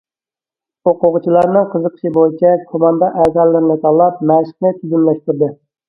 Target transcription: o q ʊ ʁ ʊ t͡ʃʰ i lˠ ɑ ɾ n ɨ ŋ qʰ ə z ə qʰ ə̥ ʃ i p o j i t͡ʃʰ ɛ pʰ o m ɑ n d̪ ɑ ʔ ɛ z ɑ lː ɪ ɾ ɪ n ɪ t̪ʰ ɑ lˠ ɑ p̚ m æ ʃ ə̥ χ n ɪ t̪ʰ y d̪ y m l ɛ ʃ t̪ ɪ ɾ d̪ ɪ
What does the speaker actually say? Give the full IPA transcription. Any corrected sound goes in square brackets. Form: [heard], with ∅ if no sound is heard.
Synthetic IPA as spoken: o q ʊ ʁ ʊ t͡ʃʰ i lˠ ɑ ɾ n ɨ ŋ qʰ ə z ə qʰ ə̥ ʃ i [b] o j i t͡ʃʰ ɛ [kʰ] o m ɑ n d̪ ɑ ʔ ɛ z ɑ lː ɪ ɾ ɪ n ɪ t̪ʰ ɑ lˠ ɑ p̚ m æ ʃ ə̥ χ n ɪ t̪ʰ y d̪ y m l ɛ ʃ t̪ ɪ ɾ d̪ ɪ

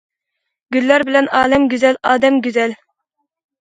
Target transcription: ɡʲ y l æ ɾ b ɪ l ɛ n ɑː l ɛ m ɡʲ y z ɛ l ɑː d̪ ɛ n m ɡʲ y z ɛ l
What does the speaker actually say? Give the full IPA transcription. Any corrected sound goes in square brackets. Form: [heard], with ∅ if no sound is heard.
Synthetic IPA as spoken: ɡʲ y [lː] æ ɾ b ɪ l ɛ n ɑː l ɛ m ɡʲ y z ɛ l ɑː d̪ ɛ [∅] m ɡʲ y z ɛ l

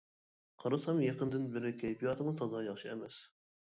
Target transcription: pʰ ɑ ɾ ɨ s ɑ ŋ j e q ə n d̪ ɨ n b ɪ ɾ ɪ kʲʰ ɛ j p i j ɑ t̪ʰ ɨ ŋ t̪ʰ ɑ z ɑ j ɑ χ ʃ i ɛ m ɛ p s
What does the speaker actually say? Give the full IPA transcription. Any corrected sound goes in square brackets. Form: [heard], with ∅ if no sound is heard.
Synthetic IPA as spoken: [qʰ] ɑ ɾ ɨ s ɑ [m] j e q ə n d̪ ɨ n b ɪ ɾ ɪ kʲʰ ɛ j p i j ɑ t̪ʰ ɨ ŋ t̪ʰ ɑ z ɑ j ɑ χ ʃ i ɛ m ɛ [∅] s

